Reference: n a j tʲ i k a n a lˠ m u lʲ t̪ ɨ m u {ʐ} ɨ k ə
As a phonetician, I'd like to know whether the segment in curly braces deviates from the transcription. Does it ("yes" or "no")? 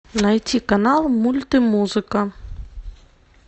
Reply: yes